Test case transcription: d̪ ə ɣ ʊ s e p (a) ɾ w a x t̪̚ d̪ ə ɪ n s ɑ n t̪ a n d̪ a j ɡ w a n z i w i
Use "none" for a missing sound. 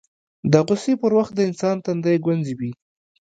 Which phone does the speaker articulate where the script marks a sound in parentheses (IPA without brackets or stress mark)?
ə